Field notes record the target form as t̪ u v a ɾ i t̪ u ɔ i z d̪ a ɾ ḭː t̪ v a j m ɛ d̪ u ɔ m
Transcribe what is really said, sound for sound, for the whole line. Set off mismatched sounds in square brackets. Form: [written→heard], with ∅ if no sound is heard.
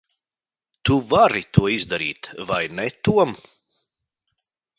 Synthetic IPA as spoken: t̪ u v a ɾ i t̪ u ɔ i z d̪ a ɾ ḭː t̪ v a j [m→n] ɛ [d̪→t̪] u ɔ m